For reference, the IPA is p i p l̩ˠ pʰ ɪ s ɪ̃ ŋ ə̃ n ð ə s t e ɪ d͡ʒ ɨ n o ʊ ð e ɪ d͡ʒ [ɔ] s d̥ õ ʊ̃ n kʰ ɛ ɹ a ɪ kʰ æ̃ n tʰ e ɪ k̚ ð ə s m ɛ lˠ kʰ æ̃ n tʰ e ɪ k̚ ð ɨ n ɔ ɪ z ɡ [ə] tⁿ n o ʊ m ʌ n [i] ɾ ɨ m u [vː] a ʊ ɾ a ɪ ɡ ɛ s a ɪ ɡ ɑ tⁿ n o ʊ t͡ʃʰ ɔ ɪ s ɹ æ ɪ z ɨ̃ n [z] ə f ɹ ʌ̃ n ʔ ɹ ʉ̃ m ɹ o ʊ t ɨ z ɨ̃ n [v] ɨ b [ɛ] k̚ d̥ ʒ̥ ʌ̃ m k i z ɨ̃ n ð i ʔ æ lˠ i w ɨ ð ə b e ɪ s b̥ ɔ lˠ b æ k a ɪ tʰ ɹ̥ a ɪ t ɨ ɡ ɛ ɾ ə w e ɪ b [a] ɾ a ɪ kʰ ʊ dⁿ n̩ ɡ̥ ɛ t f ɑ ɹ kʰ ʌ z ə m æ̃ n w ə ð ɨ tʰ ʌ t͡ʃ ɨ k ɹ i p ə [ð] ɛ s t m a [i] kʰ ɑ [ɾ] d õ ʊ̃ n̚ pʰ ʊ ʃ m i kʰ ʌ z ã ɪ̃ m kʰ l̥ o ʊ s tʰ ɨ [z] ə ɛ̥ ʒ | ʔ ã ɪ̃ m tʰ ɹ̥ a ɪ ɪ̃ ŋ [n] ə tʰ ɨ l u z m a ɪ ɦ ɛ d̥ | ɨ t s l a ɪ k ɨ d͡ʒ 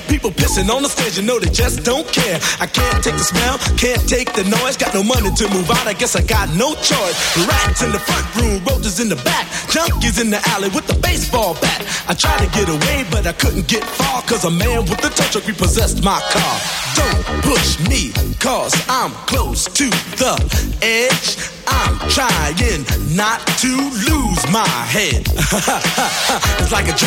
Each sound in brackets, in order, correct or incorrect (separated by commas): incorrect, incorrect, correct, incorrect, incorrect, incorrect, incorrect, incorrect, incorrect, incorrect, incorrect, incorrect, correct